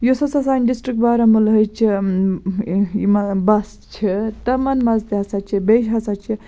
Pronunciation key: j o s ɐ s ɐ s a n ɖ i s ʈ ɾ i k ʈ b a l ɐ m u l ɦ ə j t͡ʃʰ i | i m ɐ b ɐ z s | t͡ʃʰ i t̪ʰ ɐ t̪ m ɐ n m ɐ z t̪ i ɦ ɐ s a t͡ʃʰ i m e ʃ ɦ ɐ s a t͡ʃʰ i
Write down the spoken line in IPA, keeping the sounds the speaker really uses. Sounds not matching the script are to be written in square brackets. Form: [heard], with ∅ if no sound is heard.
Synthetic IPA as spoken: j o s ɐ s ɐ s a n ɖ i s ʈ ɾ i k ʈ b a [ɾ] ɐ m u l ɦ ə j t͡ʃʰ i | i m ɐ b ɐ [∅] s | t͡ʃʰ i [t̪] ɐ [∅] m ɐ n m ɐ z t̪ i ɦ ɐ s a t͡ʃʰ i [b] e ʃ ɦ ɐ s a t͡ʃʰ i

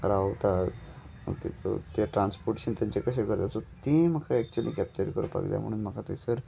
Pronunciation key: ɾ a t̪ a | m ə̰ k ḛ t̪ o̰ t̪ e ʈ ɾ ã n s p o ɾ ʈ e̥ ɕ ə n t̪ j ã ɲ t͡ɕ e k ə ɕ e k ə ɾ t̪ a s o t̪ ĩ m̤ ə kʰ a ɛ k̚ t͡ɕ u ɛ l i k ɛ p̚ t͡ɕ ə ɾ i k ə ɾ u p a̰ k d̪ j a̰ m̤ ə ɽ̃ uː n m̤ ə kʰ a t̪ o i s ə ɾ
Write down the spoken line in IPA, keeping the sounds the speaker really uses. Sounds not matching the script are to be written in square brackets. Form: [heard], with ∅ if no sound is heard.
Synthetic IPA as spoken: ɾ a t̪ a | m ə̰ k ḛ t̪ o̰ t̪ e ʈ ɾ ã n s p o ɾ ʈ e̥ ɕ ə n t̪ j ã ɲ t͡ɕ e k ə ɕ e k ə ɾ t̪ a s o t̪ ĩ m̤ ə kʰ a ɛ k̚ t͡ɕ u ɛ l i k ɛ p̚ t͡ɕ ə ɾ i k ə ɾ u p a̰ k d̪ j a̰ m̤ ə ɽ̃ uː n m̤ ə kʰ a t̪ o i s ə ɾ

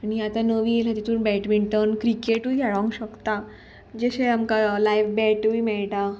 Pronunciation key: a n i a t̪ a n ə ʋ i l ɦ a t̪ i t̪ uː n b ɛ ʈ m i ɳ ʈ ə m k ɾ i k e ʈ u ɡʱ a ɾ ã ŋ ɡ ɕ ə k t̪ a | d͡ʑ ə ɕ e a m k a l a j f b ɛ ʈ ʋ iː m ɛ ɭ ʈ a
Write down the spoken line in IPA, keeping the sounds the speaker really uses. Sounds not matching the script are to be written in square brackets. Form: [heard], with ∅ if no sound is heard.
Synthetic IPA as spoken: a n i a t̪ a n ə ʋ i l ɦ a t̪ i t̪ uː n b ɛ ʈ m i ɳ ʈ ə [n] k ɾ i k e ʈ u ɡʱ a [ɭ] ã ŋ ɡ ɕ ə k t̪ a | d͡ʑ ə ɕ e a m k a l a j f b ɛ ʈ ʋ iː m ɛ ɭ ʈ a

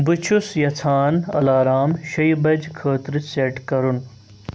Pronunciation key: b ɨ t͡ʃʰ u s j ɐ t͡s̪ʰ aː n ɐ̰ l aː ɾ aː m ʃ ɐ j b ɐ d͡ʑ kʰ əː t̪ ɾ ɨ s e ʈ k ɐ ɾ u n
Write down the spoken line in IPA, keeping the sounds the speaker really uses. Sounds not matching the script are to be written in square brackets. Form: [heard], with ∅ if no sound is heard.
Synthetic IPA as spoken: b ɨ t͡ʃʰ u s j ɐ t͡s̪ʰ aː n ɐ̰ l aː ɾ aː m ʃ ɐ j b ɐ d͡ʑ kʰ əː t̪ ɾ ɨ s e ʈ k ɐ ɾ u n

